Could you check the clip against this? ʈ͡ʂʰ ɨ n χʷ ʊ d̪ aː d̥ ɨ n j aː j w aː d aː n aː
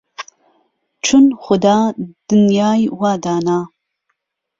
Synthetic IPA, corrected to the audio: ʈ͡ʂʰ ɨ n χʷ ʊ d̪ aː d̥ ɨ n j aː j w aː d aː n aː